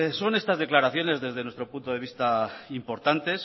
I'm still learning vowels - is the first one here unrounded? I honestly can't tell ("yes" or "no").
no